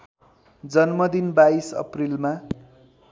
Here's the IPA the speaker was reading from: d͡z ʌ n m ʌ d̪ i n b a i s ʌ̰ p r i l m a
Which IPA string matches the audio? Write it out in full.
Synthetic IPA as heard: d͡z ʌ n m ʌ d̪ i n b a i s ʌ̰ p r i l m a